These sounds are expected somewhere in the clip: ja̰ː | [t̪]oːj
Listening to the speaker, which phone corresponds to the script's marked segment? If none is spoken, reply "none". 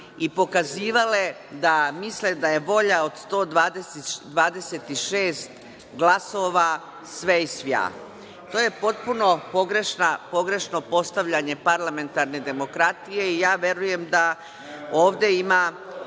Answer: t̪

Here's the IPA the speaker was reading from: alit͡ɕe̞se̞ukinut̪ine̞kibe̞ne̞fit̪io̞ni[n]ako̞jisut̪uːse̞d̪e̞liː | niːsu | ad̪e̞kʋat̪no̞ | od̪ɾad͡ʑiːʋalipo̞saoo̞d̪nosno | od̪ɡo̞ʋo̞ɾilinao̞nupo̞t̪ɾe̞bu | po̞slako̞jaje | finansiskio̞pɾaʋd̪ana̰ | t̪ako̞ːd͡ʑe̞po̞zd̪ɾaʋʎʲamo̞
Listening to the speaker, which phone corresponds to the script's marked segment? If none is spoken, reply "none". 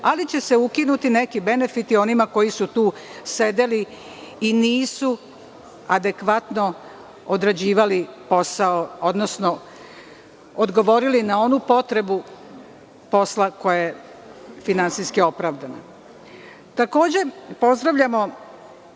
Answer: m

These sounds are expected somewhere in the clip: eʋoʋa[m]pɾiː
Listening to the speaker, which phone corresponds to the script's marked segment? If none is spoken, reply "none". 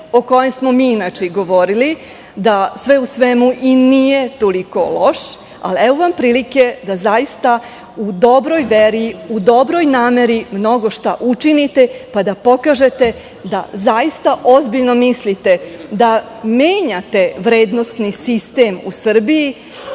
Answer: m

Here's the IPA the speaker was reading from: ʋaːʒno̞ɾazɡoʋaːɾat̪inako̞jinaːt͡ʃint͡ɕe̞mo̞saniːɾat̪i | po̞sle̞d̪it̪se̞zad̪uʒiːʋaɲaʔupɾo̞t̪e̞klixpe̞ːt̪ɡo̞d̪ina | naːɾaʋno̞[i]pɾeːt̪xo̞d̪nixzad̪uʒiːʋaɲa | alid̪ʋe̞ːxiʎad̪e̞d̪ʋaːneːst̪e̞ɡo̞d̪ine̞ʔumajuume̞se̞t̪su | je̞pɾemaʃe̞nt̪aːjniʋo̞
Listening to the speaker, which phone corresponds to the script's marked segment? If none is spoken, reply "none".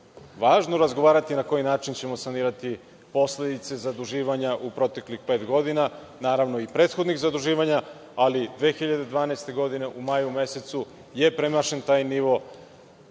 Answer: i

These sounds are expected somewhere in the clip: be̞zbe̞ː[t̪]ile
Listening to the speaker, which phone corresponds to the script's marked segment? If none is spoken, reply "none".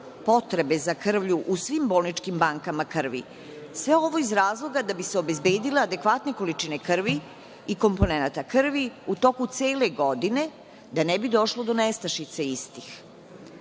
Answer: d̪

